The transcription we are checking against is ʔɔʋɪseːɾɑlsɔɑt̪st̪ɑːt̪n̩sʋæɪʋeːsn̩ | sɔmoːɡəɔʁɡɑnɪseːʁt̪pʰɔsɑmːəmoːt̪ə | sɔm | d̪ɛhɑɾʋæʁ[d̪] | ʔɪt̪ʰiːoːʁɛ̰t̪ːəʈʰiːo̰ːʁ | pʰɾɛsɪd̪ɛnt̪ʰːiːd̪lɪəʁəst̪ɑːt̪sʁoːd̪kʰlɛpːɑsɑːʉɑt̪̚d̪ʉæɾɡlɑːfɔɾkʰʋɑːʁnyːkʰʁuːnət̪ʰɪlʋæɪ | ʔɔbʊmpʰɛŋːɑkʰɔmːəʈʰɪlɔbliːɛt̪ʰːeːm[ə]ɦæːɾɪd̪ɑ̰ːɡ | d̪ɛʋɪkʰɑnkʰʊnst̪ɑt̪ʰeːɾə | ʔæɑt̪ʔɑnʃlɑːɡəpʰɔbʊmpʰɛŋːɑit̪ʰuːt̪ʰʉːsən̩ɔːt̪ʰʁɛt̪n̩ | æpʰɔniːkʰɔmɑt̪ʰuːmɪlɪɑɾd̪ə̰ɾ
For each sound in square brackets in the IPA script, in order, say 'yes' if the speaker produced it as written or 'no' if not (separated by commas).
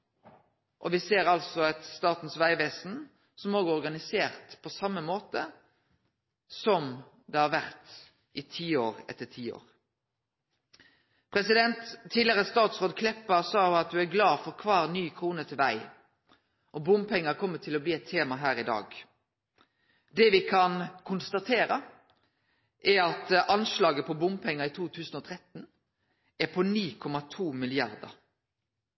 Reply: no, no